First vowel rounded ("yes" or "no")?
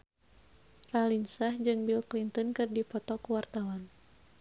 no